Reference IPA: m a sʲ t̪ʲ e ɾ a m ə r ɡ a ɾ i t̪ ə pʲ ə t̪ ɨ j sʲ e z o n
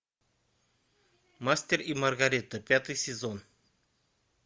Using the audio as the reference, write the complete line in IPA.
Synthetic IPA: m a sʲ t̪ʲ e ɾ i m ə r ɡ a ɾ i t̪ ə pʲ a t̪ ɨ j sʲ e z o n